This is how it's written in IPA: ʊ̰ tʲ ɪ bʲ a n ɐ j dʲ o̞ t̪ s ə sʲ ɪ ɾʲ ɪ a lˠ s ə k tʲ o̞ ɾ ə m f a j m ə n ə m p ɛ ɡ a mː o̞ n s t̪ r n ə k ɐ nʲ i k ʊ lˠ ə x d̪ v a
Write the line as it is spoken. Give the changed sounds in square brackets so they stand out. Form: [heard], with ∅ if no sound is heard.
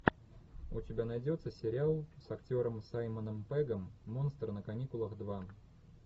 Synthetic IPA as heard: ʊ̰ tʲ ɪ bʲ a n ɐ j dʲ o̞ t̪ s ə sʲ ɪ ɾʲ ɪ a lˠ s [ɐ] k tʲ o̞ ɾ ə m [s] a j m ə n ə m p ɛ ɡ [ə] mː o̞ n s t̪ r n ə k ɐ nʲ i k ʊ lˠ ə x d̪ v a